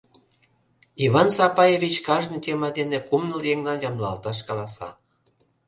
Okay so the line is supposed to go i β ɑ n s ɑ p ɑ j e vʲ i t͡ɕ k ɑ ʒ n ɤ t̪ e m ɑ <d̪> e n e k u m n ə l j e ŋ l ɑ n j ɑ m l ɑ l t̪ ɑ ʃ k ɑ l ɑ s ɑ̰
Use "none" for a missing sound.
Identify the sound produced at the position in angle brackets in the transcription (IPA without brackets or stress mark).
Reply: d̪